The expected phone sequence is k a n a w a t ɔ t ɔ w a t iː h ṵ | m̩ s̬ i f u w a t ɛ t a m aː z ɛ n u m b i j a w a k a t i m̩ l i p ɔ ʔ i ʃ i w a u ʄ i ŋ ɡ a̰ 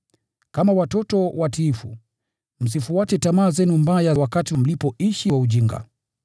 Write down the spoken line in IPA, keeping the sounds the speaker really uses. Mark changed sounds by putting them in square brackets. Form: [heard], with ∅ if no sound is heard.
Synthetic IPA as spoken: k a [m] a w a t ɔ t ɔ w a t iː [f] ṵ | m̩ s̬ i f u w a t ɛ t a m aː z ɛ n u m b [a] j a w a k a t i m̩ l i p ɔ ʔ i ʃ i w a u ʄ i ŋ ɡ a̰